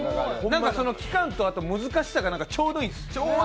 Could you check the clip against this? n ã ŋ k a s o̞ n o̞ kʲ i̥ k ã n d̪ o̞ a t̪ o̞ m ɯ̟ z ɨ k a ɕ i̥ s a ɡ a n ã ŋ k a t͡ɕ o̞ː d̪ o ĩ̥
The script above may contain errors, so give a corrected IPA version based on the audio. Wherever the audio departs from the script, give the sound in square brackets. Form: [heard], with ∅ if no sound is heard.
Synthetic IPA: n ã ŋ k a s o̞ n o̞ kʲ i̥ k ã n [t̪] o̞ a t̪ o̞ m ɯ̟ z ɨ k a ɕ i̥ s a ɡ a n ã ŋ k a t͡ɕ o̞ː d̪ o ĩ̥